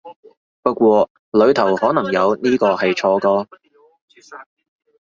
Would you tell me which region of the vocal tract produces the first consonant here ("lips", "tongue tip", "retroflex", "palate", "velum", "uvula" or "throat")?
lips